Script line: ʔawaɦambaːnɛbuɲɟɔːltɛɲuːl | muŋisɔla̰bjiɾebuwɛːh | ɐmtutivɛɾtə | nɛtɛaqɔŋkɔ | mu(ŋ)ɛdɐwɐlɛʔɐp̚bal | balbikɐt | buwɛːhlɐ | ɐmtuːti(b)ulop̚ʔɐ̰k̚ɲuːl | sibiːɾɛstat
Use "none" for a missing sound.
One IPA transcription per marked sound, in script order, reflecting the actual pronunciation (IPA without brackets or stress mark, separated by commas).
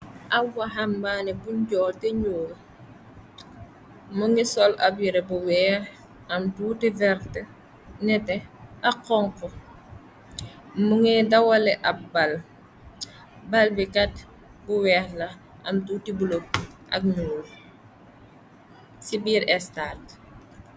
ŋ, b